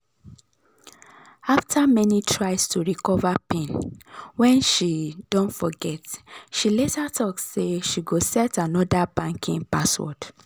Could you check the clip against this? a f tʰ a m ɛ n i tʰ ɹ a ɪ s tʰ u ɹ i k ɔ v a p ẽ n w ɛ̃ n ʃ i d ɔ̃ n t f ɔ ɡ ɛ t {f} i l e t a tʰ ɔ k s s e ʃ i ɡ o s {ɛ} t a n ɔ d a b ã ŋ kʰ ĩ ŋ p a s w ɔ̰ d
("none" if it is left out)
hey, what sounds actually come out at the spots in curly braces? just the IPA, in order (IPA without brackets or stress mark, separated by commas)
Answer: ʃ, ɛ